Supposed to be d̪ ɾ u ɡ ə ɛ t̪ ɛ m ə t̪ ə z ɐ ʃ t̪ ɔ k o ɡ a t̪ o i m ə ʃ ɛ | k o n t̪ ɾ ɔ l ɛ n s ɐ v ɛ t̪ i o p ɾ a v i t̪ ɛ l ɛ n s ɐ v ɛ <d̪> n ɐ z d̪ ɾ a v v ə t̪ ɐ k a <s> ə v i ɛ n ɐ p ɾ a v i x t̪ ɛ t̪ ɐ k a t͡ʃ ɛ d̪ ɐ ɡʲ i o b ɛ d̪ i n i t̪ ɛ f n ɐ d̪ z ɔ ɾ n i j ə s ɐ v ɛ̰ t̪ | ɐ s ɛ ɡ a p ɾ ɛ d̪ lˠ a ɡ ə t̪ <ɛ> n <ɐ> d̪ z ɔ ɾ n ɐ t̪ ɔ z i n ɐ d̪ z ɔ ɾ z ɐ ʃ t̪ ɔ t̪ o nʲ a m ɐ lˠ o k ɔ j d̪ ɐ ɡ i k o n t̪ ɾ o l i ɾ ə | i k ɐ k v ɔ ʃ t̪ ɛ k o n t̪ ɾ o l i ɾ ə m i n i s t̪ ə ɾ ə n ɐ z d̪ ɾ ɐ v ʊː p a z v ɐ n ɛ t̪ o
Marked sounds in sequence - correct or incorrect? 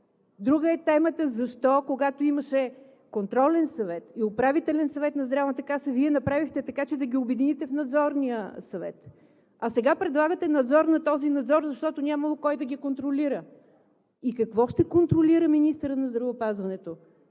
incorrect, correct, correct, correct

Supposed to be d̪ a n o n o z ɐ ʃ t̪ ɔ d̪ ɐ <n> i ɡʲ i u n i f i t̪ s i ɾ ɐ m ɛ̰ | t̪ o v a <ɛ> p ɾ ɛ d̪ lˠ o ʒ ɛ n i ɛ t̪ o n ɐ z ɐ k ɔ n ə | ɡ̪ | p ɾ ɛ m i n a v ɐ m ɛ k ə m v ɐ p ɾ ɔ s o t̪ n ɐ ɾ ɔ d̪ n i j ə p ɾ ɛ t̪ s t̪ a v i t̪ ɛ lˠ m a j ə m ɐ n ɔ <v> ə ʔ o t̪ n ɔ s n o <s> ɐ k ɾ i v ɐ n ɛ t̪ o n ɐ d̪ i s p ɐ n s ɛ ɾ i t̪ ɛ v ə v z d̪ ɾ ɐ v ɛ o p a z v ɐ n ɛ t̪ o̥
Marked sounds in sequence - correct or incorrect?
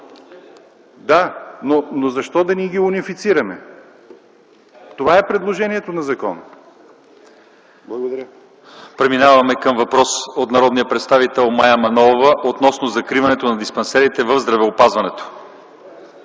correct, correct, correct, incorrect

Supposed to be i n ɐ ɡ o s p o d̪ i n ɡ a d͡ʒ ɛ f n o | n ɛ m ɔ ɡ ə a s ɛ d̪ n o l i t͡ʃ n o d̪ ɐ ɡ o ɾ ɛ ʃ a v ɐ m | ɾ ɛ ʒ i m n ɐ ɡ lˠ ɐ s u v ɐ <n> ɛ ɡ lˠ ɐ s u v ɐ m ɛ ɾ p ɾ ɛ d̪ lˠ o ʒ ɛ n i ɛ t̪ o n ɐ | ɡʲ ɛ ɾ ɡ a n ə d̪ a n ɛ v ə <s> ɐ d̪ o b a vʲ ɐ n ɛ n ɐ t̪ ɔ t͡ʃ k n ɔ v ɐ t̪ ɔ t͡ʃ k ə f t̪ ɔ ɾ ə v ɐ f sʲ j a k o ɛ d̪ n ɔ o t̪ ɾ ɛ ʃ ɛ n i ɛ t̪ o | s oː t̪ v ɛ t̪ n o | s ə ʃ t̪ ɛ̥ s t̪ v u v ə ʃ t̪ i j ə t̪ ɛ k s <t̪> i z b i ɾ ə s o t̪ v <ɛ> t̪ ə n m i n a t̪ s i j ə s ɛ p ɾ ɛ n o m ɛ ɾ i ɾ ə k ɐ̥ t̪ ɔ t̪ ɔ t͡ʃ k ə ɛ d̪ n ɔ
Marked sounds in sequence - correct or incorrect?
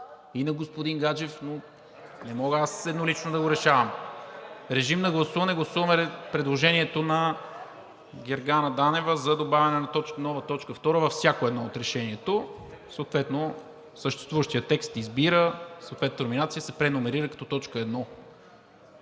correct, incorrect, correct, correct

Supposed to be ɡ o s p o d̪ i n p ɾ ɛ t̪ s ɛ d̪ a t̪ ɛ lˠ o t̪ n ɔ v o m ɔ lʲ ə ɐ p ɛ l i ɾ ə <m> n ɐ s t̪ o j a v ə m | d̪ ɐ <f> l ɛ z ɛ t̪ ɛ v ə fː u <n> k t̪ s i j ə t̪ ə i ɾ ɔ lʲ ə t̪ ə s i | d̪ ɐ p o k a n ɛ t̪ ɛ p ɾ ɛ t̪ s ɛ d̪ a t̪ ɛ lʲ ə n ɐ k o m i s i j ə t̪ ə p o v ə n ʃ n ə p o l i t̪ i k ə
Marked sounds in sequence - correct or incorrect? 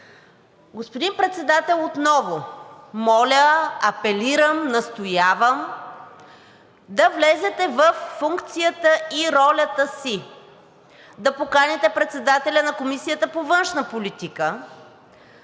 correct, incorrect, incorrect

